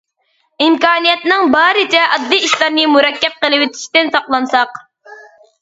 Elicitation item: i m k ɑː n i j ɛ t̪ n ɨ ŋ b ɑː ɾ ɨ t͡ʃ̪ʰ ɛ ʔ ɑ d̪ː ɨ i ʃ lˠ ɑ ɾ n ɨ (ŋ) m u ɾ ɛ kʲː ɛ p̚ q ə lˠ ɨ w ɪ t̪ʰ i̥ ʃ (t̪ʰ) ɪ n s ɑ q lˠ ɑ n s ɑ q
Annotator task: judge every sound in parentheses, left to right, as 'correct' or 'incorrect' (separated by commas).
incorrect, incorrect